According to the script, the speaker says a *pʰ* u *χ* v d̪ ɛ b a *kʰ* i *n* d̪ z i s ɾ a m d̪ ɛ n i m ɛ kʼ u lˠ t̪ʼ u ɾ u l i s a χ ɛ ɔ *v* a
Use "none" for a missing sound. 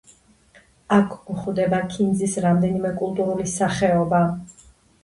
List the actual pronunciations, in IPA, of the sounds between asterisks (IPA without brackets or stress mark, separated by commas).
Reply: kʰ, χ, kʰ, n, b